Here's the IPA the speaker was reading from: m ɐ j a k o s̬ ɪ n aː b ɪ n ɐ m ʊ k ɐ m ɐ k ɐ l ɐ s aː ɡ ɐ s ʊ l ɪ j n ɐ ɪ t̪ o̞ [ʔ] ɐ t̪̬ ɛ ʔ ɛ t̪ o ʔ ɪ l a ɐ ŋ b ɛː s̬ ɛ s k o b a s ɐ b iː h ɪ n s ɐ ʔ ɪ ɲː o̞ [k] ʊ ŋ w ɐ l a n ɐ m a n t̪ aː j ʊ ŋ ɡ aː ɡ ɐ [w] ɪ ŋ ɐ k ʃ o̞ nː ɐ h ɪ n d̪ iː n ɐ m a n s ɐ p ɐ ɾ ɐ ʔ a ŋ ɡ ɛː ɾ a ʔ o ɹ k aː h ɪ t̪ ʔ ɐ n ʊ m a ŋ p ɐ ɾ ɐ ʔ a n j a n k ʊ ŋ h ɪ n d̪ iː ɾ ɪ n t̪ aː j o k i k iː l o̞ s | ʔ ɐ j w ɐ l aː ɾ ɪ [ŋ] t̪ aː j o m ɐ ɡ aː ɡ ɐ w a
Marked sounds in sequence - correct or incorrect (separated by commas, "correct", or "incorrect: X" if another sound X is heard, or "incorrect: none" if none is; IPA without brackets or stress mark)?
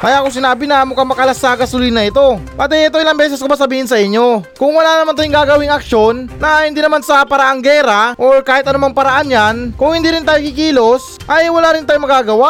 incorrect: p, correct, correct, incorrect: n